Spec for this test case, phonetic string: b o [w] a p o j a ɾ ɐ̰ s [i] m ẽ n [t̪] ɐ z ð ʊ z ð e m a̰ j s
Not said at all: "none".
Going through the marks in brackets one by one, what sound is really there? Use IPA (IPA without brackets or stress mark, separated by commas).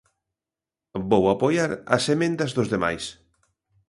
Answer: w, e, d̪